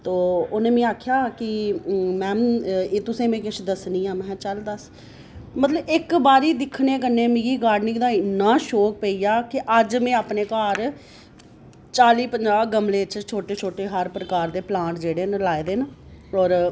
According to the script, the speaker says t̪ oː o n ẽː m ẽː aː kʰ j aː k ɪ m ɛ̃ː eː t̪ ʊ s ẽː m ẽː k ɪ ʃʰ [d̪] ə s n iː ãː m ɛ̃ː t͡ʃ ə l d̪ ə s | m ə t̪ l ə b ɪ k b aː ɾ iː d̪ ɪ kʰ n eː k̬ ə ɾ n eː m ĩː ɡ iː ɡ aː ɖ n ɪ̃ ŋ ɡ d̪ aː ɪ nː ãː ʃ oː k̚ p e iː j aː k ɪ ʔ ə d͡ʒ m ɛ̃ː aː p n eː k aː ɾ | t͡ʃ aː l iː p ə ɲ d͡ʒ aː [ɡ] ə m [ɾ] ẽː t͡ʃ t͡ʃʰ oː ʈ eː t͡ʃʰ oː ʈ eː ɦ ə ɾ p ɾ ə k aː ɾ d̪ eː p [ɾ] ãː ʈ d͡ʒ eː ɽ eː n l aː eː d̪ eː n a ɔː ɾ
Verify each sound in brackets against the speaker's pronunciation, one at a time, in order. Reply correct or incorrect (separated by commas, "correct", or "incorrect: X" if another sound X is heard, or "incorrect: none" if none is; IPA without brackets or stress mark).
correct, correct, incorrect: l, incorrect: l